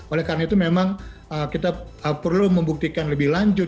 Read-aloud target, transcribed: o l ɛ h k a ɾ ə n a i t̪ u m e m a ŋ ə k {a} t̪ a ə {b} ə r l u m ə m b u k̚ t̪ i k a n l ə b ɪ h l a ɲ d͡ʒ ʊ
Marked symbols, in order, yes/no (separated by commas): no, no